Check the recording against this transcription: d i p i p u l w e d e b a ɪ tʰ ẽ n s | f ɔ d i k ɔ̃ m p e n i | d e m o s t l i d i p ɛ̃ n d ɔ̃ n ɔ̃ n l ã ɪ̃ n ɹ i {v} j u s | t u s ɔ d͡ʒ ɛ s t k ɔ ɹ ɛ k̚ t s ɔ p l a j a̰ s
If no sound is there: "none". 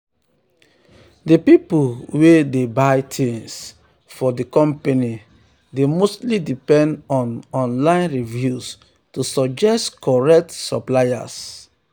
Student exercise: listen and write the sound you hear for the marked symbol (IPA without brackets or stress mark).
v